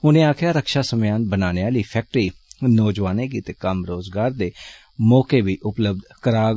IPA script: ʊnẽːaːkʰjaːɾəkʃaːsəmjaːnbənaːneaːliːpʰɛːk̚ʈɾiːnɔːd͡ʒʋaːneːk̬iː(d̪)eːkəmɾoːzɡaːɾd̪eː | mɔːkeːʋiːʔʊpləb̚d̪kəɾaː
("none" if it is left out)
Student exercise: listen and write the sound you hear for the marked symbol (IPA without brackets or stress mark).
t̪